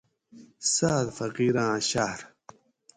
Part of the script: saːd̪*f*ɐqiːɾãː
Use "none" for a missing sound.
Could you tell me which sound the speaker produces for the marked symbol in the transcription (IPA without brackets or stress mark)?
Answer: f